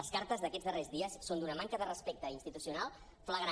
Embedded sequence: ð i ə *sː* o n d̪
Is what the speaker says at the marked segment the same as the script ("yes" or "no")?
yes